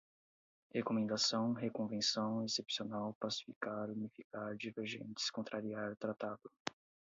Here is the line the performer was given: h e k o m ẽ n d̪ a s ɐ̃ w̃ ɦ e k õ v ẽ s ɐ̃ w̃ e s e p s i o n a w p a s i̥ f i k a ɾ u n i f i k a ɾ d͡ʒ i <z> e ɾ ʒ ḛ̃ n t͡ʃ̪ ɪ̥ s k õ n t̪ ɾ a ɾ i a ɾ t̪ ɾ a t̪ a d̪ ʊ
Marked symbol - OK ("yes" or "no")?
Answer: no